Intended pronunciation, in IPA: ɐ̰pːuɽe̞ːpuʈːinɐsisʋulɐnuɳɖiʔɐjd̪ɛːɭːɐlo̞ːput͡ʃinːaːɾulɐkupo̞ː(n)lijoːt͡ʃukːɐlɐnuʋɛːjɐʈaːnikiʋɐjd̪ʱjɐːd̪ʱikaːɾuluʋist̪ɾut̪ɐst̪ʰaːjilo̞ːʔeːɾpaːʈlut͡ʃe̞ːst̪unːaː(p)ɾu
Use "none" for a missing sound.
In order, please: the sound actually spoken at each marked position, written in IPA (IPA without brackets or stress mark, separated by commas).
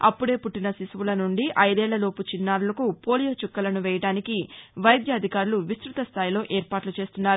none, none